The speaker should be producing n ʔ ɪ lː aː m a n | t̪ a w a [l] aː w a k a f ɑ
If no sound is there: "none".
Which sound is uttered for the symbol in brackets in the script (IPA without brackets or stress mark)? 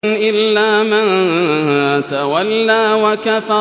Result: lː